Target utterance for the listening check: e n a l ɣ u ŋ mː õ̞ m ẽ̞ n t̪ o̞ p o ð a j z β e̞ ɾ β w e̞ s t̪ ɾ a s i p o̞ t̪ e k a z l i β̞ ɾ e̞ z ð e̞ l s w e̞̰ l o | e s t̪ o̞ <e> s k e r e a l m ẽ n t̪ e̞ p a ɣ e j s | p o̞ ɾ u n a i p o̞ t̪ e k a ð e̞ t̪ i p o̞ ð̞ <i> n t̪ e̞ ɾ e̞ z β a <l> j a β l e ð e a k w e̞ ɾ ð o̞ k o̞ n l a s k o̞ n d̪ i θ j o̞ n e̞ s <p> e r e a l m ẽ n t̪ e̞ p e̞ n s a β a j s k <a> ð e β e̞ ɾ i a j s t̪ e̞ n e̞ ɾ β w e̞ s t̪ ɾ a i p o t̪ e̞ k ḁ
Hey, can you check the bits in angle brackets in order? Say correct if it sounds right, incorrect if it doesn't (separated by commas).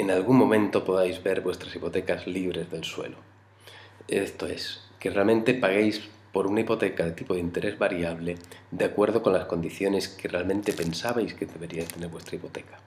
correct, correct, incorrect, incorrect, incorrect